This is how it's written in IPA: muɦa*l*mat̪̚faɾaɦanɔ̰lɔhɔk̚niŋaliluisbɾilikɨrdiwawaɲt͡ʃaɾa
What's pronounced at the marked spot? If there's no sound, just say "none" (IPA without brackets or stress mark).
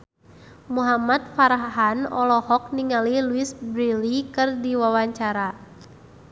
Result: none